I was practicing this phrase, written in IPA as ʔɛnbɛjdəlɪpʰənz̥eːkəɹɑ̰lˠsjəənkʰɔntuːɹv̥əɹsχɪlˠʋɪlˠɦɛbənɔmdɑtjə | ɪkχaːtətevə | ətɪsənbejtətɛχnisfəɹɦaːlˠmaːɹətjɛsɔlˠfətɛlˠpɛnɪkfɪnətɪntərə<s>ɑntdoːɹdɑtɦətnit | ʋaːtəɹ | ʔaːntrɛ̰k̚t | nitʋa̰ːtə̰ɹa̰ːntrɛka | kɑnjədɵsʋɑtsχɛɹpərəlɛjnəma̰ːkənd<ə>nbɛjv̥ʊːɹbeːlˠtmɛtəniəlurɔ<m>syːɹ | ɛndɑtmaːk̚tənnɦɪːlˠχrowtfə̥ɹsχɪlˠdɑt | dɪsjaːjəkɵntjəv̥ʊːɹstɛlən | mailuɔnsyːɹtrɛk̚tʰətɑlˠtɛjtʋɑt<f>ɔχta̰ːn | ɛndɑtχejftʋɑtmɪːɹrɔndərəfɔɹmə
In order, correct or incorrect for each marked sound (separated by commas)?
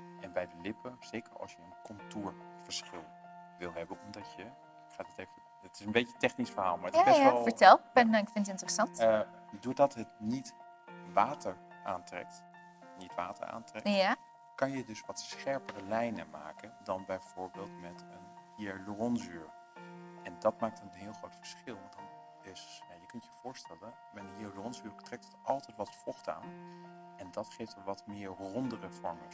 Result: correct, incorrect, incorrect, correct